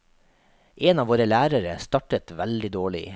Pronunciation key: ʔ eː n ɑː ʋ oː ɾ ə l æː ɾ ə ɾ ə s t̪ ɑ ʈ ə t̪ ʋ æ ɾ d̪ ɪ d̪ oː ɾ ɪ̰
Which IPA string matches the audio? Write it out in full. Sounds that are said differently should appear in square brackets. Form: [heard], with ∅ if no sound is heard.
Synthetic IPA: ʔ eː n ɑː ʋ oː ɾ ə l æː ɾ ə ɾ ə s t̪ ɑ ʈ ə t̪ ʋ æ [l] d̪ ɪ d̪ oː [ɭ] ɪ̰